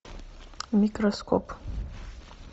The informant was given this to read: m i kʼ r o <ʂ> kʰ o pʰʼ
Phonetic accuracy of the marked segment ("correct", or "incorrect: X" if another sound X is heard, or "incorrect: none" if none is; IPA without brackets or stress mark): incorrect: s